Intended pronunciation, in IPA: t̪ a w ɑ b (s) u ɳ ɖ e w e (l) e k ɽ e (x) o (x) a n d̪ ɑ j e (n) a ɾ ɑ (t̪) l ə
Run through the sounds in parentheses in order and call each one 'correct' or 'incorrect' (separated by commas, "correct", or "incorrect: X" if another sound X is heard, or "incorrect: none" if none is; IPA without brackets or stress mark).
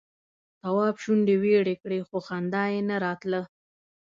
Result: incorrect: ʃ, incorrect: ɽ, correct, correct, correct, correct